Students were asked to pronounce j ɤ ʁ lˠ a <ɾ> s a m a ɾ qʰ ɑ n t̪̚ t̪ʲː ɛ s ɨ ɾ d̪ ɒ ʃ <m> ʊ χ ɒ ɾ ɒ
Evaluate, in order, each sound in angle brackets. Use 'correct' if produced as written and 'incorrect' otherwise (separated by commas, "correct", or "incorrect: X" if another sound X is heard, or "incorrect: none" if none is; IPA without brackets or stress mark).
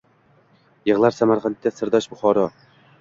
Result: correct, incorrect: b